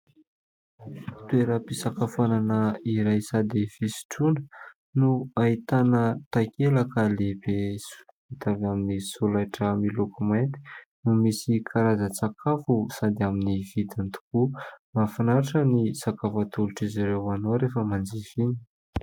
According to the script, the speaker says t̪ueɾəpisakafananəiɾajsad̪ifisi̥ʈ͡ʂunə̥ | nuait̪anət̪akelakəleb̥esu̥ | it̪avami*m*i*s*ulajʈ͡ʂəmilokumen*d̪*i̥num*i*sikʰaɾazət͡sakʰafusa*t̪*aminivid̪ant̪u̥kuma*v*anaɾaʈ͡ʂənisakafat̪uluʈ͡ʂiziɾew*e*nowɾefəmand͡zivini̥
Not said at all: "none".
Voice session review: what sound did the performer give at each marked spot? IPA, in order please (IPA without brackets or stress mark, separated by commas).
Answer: n, s, t̪, i, d̪, f, a